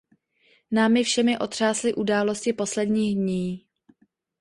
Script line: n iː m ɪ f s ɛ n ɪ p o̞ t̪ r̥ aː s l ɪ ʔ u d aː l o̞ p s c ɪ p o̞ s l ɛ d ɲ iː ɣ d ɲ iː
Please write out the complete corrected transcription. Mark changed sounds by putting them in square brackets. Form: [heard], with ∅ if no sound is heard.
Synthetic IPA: n [aː] m ɪ f [ʃ] ɛ [m] ɪ [ʔ] o̞ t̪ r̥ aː s l ɪ ʔ u d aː l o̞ [∅] s c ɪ p o̞ s l ɛ d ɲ iː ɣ d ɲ iː

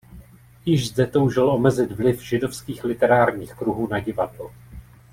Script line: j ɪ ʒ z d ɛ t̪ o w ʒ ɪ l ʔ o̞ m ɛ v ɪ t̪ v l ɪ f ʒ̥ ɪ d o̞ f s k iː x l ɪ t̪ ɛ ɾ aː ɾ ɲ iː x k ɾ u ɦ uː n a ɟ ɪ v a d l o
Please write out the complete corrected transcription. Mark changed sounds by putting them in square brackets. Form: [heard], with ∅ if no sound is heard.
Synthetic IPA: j ɪ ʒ z d ɛ t̪ o w ʒ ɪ l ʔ o̞ m ɛ [z] ɪ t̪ v l ɪ f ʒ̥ ɪ d o̞ f s k iː x l ɪ t̪ ɛ ɾ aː ɾ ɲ iː x k ɾ u ɦ uː n a ɟ ɪ v a d l o

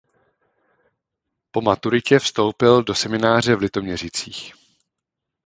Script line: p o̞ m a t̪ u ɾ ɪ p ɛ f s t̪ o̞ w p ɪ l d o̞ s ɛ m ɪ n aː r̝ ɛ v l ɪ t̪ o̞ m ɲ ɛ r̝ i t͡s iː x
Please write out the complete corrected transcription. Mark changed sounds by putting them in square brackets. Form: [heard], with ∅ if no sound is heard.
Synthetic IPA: p o̞ m a t̪ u ɾ ɪ [c] ɛ f s t̪ o̞ w p ɪ l d o̞ s ɛ m ɪ n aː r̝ ɛ v l ɪ t̪ o̞ m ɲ ɛ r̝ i t͡s iː x

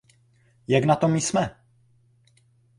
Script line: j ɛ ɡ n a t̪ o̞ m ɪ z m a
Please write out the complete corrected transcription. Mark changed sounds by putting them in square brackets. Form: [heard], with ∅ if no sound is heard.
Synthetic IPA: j [a] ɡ n a t̪ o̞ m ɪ [s] m [ɛ]

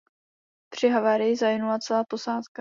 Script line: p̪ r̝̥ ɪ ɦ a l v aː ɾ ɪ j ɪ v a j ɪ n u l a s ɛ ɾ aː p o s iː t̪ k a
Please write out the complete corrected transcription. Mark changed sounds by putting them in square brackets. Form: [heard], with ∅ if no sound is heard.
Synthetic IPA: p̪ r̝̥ ɪ ɦ a [∅] v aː ɾ ɪ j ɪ [z] a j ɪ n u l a [t͡s] ɛ [l] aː p o s [aː] t̪ k a

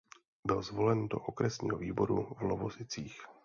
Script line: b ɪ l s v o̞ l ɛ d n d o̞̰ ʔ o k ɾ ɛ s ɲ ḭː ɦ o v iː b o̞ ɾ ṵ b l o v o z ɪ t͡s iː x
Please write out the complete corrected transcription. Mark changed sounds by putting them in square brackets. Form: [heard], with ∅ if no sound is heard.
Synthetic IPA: b ɪ l [z] v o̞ l ɛ [∅] n d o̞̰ ʔ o k ɾ ɛ s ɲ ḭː ɦ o v iː b o̞ ɾ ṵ [v] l o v o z ɪ t͡s iː x

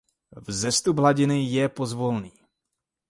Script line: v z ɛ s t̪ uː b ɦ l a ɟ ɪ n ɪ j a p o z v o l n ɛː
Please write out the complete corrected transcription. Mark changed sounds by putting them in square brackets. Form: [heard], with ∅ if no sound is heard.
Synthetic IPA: v z ɛ s t̪ [u] b ɦ l a ɟ ɪ n ɪ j [ɛ] p o z v o l n [iː]

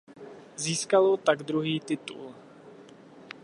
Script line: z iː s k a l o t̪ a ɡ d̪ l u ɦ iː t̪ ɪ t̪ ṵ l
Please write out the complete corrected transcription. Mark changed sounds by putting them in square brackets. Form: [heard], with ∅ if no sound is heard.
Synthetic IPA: z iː s k a l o t̪ a ɡ d̪ [ɾ] u ɦ iː t̪ ɪ t̪ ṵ l

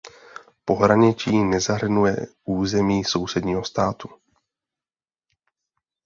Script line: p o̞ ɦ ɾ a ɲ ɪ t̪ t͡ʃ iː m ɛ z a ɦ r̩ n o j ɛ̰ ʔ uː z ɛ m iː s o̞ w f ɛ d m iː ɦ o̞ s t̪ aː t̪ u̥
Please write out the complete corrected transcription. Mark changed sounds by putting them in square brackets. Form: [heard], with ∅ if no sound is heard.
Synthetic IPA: p o̞ ɦ ɾ a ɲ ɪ [∅] t͡ʃ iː [n] ɛ z a ɦ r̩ n [u] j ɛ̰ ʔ uː z ɛ m iː s o̞ w [s] ɛ d [ɲ] iː ɦ o̞ s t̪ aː t̪ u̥

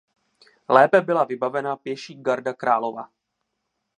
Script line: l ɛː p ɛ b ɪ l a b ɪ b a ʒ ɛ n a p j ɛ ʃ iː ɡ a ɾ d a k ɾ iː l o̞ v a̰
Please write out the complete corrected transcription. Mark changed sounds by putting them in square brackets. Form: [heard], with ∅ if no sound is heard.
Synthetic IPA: l ɛː p ɛ b ɪ l a [v] ɪ b a [v] ɛ n a p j ɛ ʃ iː ɡ a ɾ d a k ɾ [aː] l o̞ v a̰

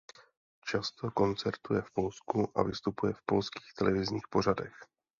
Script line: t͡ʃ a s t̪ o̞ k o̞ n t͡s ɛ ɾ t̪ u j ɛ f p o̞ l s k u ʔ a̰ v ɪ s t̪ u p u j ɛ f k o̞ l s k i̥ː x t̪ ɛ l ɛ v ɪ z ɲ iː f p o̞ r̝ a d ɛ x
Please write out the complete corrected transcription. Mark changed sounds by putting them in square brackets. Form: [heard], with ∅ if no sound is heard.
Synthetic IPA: t͡ʃ a s t̪ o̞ k o̞ n t͡s ɛ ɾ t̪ u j ɛ f p o̞ l s k u ʔ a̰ v ɪ s t̪ u p u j ɛ f [p] o̞ l s k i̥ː x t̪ ɛ l ɛ v ɪ z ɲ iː [x] p o̞ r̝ a d ɛ x

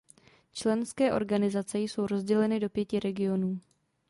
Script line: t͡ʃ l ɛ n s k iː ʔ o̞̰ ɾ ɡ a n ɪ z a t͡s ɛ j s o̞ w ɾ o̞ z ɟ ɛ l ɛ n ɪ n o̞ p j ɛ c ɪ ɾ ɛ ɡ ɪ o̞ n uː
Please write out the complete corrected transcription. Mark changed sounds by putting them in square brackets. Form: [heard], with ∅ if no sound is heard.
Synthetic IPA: t͡ʃ l ɛ n s k [ɛː] ʔ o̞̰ ɾ ɡ a n ɪ z a t͡s ɛ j s o̞ w ɾ o̞ z ɟ ɛ l ɛ n ɪ [d] o̞ p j ɛ c ɪ ɾ ɛ ɡ ɪ o̞ n uː

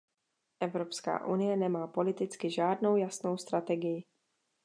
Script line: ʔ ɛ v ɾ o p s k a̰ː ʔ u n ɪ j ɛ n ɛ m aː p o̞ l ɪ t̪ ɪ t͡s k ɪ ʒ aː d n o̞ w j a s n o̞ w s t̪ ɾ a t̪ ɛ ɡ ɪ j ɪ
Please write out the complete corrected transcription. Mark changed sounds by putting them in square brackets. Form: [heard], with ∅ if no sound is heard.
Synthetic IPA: ʔ ɛ v ɾ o p s k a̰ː ʔ u n ɪ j ɛ n ɛ m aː p o̞ l ɪ t̪ ɪ t͡s k ɪ ʒ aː d n o̞ w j a s n o̞ w s t̪ ɾ a t̪ ɛ ɡ ɪ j ɪ

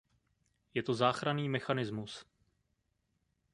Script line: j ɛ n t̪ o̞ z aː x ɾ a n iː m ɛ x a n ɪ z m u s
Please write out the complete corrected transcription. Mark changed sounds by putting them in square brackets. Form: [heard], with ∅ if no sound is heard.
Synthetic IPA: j ɛ [∅] t̪ o̞ z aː x ɾ a n iː m ɛ x a n ɪ z m u s

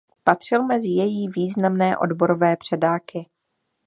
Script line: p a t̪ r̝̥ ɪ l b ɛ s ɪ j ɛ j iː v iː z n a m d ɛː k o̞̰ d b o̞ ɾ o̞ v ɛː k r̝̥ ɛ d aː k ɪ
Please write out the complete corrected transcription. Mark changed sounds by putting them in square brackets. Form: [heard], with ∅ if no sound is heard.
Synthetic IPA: p a t̪ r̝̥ ɪ l [m] ɛ [z] ɪ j ɛ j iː v iː z n a m [n] ɛː [ʔ] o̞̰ d b o̞ ɾ o̞ v ɛː [p] r̝̥ ɛ d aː k ɪ

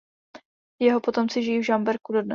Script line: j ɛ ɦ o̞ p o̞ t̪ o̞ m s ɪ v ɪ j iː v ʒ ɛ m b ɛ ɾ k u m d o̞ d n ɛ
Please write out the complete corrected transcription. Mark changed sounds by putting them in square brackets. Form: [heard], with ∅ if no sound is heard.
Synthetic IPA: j ɛ ɦ o̞ p o̞ t̪ o̞ m [t͡s] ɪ [ʒ] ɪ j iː v ʒ [a] m b ɛ ɾ k u [∅] d o̞ d n ɛ

